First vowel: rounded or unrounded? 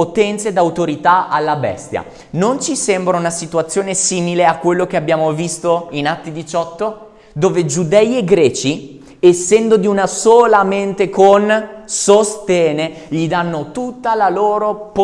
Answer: rounded